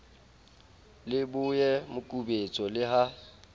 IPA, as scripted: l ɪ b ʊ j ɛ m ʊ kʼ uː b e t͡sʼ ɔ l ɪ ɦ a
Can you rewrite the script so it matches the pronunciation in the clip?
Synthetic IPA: l ɪ b ʊ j ɛ m ʊ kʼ u b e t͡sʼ ɔ l ɪ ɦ a